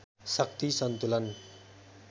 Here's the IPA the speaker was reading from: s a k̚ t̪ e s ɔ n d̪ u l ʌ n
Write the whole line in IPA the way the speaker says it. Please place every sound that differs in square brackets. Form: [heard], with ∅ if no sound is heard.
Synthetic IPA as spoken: s a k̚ t̪ [i] s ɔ n [t̪] u l [a] n